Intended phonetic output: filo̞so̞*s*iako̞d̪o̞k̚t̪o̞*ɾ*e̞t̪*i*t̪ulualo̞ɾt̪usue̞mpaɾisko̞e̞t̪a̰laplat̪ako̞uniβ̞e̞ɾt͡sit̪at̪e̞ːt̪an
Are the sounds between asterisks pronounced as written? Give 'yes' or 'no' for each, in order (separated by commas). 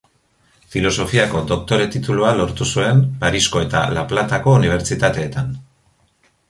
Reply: no, yes, yes